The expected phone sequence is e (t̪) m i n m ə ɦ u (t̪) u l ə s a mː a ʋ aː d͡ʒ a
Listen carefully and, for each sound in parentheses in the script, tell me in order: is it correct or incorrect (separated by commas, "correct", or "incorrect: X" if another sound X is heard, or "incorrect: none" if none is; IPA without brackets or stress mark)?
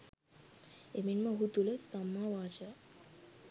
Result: incorrect: none, correct